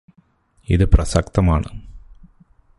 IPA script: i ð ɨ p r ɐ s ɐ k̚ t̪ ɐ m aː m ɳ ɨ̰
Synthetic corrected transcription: i ð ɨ p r ɐ s ɐ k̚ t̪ ɐ m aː ɳ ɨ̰

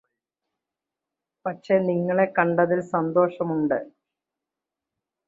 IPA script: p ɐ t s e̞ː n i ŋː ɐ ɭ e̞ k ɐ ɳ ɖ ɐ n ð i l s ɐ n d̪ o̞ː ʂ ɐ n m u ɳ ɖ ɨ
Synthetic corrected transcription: p ɐ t ʂ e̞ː n i ŋː ɐ ɭ e̞ k ɐ ɳ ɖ ɐ ð i l s ɐ n d̪ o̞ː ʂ ɐ m u ɳ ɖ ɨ

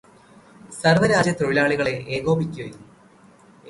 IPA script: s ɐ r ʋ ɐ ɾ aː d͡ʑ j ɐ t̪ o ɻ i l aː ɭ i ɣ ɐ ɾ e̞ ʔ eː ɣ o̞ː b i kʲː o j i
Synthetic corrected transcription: s ɐ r ʋ ɐ ɾ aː d͡ʑ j ɐ t̪ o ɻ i l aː ɭ i ɣ ɐ ɭ e̞ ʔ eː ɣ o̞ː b i kʲː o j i

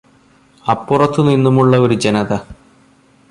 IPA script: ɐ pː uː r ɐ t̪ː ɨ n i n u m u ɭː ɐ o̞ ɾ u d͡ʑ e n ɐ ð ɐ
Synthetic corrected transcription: ɐ pː u r ɐ t̪ː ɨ n i nː u m u ɭː ɐ o̞ ɾ u d͡ʑ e n ɐ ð ɐ

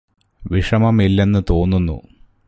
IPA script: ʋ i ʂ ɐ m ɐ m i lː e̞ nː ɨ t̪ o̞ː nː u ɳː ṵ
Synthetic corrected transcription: ʋ i ʂ ɐ m ɐ m i lː e̞ nː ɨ t̪ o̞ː nː u nː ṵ

